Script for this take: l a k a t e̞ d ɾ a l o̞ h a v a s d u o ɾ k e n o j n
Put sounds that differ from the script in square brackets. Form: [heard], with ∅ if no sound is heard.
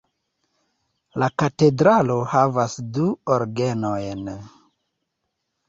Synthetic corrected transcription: l a k a t e̞ d ɾ a l o̞ h a v a s d u o ɾ [ɡ] e n o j n